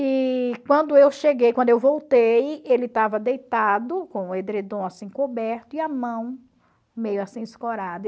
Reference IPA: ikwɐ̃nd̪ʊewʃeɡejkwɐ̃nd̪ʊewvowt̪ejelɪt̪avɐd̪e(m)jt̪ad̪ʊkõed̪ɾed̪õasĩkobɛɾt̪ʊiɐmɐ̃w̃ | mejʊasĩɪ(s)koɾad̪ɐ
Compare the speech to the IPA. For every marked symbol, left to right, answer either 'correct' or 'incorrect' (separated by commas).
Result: incorrect, correct